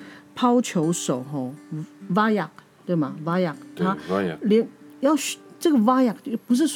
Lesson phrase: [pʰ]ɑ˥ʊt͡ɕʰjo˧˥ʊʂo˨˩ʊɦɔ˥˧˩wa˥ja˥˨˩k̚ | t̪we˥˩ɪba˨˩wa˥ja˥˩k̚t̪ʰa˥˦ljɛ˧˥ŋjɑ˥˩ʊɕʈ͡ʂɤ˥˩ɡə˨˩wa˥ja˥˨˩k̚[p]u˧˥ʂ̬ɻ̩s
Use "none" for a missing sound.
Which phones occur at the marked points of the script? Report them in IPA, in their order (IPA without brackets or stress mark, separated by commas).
pʰ, p